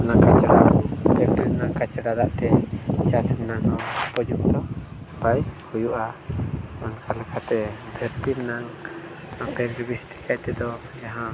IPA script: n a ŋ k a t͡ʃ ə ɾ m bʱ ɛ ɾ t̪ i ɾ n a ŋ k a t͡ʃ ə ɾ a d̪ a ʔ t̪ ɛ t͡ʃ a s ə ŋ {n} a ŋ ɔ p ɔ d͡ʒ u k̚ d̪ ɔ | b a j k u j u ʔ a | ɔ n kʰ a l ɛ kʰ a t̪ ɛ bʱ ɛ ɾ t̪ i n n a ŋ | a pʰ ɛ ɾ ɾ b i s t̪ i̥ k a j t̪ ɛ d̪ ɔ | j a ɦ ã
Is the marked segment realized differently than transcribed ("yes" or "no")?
no